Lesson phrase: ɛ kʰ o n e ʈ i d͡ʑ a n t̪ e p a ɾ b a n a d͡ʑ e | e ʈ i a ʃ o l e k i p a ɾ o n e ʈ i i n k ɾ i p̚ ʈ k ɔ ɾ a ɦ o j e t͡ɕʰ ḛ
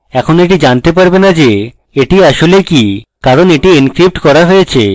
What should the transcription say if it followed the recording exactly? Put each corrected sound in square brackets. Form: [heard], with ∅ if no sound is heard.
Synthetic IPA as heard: ɛ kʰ o n e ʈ i d͡ʑ a n t̪ e p a ɾ b [e] n a d͡ʑ e | e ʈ i a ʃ o l e k i [k] a ɾ o n e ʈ i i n k ɾ i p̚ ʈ k ɔ ɾ a ɦ o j e t͡ɕʰ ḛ